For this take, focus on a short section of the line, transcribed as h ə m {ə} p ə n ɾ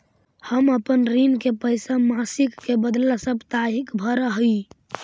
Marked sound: correct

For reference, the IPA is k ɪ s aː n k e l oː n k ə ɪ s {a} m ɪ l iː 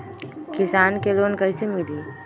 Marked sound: incorrect: e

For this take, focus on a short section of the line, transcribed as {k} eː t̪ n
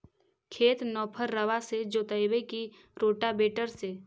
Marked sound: incorrect: kʰ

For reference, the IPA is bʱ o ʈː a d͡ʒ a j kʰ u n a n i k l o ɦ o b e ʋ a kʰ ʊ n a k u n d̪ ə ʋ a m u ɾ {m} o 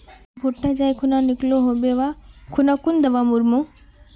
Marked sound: correct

